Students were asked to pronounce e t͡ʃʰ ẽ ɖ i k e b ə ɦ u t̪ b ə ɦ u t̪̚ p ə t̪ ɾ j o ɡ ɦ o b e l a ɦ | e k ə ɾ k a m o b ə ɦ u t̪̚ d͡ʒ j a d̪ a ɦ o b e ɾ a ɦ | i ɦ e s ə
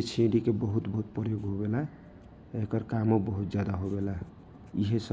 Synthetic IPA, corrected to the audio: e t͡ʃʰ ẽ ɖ i k e b ə ɦ u t̪ b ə ɦ u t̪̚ p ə ɾ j o ɡ ɦ o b e l a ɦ | e k ə ɾ k a m o b ə ɦ u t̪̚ d͡ʒ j a d̪ a ɦ o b e l a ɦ | i ɦ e s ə